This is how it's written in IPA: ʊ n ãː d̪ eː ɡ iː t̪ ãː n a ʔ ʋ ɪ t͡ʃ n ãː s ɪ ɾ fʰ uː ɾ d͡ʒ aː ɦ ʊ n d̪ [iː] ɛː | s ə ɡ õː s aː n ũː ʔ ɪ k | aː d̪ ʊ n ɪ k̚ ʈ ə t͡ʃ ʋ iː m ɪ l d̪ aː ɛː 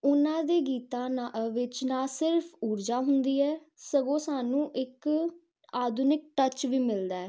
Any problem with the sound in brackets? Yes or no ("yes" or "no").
no